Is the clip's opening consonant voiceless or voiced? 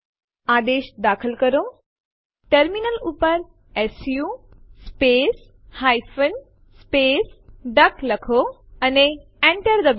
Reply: voiced